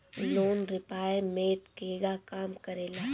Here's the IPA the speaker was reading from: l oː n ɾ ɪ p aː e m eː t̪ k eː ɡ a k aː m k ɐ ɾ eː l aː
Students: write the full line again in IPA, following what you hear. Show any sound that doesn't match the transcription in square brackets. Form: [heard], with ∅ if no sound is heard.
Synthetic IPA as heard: l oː n ɾ ɪ p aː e m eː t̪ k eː ɡ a k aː m k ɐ ɾ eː l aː